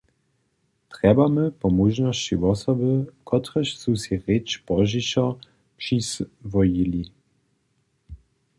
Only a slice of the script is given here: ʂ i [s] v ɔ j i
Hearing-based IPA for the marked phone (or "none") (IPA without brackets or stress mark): s